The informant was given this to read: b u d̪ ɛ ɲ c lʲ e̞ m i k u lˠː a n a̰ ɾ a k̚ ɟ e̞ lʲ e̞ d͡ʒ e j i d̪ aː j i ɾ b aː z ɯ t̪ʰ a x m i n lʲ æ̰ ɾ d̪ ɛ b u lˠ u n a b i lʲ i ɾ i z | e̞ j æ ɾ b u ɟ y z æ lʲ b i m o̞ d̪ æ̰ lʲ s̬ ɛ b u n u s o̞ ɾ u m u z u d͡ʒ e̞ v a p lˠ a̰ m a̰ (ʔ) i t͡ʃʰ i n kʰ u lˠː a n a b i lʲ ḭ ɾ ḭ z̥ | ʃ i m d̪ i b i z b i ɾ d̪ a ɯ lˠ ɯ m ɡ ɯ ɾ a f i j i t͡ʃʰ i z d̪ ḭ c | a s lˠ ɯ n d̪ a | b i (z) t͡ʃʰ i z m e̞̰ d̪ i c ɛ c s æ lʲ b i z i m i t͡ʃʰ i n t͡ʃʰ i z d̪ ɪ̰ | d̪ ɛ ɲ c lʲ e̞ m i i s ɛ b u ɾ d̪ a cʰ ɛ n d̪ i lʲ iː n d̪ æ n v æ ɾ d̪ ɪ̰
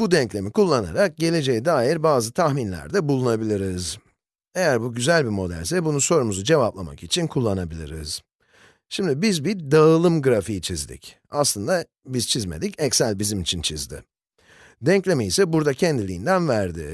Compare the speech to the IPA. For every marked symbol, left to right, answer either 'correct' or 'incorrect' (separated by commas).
incorrect, correct